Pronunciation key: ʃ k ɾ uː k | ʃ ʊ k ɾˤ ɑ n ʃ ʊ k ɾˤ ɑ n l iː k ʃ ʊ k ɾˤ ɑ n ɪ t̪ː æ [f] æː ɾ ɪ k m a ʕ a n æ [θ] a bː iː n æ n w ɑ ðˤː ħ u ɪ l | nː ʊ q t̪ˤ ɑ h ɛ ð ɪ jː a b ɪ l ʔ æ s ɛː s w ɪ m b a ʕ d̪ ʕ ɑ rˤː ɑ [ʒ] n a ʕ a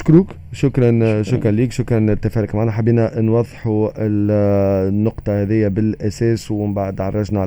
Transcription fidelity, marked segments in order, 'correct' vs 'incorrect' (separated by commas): correct, incorrect, correct